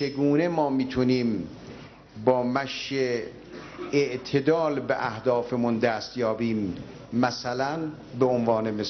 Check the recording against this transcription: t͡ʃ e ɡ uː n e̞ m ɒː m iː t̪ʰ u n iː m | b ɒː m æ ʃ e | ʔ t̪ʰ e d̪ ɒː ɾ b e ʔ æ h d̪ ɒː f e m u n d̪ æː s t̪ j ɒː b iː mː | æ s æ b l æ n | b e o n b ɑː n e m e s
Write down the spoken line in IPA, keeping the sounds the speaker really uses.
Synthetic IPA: t͡ʃ e ɡ uː n e̞ m ɒː m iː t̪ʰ u n iː m | b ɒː m æ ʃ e | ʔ t̪ʰ e d̪ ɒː l b e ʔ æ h d̪ ɒː f e m u n d̪ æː s t̪ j ɒː b iː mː | æ s æ l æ n | b e o n v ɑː n e m e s